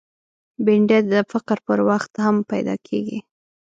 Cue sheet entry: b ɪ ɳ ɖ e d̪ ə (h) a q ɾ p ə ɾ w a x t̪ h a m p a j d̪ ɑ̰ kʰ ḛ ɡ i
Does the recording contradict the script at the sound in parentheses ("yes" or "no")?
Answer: yes